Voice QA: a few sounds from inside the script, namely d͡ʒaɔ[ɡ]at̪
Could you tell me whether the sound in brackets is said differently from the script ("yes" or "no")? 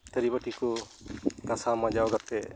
no